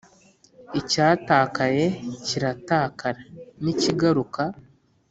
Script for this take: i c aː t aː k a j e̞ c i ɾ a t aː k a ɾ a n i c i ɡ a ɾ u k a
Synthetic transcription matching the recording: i c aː t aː k a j e̞ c i ɾ a t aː k a ɾ a n i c i ɡ a ɾ u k a